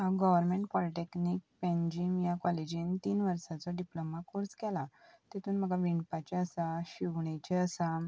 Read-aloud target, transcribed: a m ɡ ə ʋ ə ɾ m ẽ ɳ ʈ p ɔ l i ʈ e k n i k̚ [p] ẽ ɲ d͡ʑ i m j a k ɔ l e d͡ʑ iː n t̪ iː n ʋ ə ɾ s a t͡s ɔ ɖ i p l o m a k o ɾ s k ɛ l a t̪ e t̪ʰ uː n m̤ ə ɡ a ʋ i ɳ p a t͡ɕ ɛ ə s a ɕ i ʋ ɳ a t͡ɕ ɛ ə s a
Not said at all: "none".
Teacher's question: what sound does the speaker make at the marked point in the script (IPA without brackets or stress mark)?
p